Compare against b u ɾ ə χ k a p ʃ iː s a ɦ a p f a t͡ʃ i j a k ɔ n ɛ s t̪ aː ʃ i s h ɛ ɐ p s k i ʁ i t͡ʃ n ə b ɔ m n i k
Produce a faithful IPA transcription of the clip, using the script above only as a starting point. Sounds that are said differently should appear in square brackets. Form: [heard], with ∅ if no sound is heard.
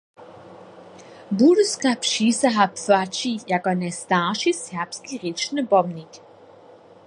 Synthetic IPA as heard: b u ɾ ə [s] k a p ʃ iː s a ɦ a p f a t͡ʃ i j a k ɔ n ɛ s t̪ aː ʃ i s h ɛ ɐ p s k i ʁ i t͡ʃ n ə b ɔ m n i k